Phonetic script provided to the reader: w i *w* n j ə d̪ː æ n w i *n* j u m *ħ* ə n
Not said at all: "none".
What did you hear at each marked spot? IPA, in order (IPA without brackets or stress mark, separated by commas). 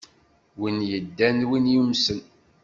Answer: none, n, s